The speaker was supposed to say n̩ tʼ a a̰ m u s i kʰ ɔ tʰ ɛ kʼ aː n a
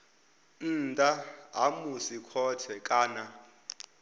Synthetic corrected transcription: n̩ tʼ a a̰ m u s i kʰ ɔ tʰ ɛ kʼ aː n a